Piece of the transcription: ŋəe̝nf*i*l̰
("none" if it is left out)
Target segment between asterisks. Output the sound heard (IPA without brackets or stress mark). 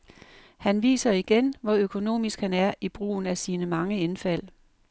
æ